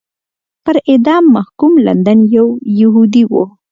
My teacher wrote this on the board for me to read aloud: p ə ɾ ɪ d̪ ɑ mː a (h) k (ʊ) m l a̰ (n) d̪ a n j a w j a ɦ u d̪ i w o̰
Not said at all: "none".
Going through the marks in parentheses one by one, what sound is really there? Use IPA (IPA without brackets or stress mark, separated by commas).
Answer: h, u, n